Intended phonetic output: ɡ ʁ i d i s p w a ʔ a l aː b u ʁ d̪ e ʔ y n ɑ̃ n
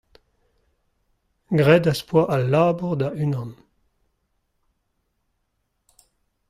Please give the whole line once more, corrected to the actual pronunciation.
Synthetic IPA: ɡ ʁ ɛ d a s p w a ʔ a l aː b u ʁ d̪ a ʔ y n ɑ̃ n